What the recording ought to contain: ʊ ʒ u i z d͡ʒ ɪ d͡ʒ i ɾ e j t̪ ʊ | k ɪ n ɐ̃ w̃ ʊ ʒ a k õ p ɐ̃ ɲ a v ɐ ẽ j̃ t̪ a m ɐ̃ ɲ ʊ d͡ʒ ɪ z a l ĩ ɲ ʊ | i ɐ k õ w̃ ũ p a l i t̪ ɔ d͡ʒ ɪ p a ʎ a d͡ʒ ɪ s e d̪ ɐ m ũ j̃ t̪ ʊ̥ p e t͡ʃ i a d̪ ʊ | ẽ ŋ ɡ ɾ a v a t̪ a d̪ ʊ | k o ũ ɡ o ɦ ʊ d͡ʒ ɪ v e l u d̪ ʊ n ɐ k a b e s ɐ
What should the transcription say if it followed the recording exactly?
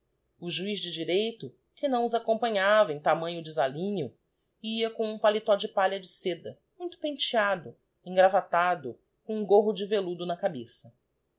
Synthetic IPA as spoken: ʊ ʒ u i z d͡ʒ ɪ d͡ʒ i ɾ e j t̪ ʊ | k ɪ n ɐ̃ w̃ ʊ z a k õ p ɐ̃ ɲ a v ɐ ẽ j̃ t̪ a m ɐ̃ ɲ ʊ d͡ʒ ɪ z a l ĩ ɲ ʊ | i ɐ k õ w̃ ũ p a l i t̪ ɔ d͡ʒ ɪ p a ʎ ɐ d͡ʒ ɪ s e d̪ ɐ m ũ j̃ t̪ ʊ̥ p ẽ t͡ʃ i a d̪ ʊ | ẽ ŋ ɡ ɾ a v a t̪ a d̪ ʊ | k õ ũ ɡ o ɦ ʊ d͡ʒ ɪ v e l u d̪ ʊ n ɐ k a b e s ɐ